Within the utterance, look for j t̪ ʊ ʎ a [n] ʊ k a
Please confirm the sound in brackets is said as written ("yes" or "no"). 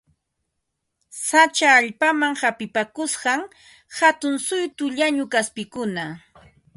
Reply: no